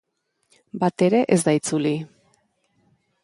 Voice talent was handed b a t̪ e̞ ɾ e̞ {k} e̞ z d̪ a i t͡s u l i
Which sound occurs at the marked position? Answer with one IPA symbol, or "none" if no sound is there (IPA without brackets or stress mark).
ʔ